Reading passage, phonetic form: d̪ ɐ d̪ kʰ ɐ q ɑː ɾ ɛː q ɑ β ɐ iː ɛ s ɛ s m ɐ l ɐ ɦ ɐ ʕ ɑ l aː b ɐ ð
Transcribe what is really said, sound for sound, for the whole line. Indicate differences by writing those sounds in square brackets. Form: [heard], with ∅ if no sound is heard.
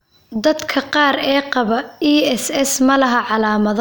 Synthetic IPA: d̪ ɐ d̪ kʰ ɐ q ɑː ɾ ɛː q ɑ β ɐ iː ɛ s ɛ s m ɐ l ɐ ɦ ɐ ʕ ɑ l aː [m] ɐ ð